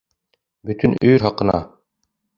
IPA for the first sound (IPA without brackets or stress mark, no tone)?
b